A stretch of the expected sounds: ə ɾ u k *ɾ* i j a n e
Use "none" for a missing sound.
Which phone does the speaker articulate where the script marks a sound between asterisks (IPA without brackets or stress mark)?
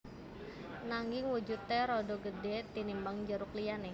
l